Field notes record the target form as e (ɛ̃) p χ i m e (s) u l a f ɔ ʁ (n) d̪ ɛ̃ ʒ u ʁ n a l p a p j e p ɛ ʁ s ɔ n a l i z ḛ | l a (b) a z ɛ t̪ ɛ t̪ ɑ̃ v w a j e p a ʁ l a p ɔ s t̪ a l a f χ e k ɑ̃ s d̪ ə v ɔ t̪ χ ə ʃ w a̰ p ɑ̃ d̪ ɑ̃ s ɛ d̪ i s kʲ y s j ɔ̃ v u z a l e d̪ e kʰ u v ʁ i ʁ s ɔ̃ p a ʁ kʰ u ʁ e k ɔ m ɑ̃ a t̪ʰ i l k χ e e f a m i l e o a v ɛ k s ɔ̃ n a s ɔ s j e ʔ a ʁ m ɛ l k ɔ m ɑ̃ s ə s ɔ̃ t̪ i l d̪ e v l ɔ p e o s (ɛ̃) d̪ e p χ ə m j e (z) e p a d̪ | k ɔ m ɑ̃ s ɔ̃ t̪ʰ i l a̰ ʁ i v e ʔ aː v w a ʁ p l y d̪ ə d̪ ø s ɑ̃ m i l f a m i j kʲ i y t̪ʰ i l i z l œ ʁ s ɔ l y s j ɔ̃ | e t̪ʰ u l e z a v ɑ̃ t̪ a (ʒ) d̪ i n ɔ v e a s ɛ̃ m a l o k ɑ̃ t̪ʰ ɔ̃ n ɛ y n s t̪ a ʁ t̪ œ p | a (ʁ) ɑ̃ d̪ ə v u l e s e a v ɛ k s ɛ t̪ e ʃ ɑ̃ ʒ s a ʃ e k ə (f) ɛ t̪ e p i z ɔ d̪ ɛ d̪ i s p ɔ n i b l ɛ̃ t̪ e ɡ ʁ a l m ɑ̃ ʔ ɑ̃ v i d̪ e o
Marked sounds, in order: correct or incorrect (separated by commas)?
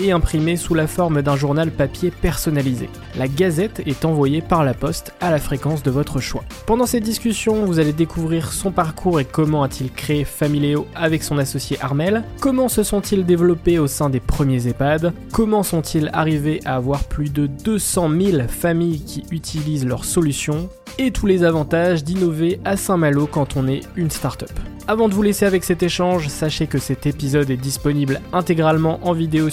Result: correct, correct, incorrect, incorrect, correct, correct, correct, incorrect, incorrect